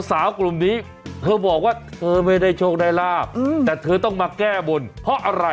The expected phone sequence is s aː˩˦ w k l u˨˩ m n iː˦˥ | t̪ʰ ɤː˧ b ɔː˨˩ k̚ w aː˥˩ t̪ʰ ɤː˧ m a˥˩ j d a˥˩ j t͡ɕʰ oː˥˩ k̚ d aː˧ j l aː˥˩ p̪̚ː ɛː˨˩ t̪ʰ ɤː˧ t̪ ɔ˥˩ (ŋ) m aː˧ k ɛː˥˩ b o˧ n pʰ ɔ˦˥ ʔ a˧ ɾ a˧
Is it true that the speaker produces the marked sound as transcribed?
yes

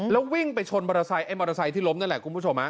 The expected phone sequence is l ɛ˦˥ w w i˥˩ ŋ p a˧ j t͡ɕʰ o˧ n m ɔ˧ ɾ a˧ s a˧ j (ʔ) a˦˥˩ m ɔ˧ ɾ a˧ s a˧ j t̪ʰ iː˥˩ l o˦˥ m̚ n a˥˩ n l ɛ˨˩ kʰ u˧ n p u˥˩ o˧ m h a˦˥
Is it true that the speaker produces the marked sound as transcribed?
yes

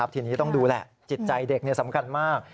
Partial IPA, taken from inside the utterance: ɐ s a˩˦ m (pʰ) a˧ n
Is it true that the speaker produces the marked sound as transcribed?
no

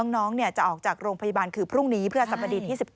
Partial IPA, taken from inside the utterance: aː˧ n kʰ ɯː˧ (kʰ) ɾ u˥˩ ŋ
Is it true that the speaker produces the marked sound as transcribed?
no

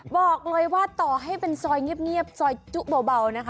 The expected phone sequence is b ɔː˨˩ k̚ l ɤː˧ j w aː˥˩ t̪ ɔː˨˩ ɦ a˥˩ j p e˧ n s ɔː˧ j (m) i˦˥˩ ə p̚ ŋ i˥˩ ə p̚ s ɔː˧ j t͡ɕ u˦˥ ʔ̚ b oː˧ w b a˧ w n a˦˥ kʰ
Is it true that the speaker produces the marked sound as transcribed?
no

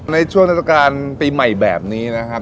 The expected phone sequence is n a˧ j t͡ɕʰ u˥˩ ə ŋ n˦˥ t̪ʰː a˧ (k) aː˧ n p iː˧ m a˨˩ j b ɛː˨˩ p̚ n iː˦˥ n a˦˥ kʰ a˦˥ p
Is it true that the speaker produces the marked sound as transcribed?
yes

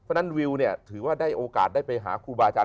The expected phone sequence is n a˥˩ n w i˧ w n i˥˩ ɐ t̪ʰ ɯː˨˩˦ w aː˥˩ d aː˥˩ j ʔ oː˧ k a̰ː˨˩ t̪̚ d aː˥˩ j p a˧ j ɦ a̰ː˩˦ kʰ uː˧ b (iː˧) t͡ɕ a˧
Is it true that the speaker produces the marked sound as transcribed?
no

